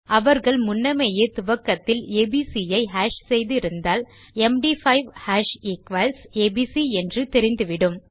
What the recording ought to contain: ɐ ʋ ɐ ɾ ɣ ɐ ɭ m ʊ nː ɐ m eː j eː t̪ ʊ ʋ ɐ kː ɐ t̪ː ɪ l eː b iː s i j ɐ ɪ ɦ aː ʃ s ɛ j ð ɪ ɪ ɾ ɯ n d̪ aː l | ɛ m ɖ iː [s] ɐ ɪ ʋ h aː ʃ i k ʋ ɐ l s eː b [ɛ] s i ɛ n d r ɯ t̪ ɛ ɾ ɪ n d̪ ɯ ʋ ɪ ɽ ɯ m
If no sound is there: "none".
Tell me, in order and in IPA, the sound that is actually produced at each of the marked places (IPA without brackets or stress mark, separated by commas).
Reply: f, i